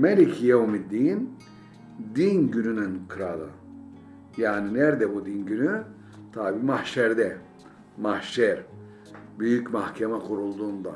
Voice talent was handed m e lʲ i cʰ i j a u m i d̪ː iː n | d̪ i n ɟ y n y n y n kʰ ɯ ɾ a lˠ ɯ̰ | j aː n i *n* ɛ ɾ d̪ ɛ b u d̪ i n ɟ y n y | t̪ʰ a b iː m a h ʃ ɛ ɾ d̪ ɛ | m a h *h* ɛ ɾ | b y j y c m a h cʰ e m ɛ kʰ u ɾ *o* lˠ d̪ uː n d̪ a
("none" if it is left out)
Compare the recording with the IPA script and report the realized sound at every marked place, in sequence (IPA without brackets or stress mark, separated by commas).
n, ʃ, u